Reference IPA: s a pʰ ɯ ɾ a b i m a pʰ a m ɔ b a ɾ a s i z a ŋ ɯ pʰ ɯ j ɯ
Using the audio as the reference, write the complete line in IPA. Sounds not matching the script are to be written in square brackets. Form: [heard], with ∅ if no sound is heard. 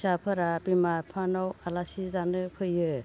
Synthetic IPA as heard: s a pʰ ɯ ɾ a b i m a pʰ a [n] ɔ [w] a [l] a s i z a [n] ɯ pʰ ɯ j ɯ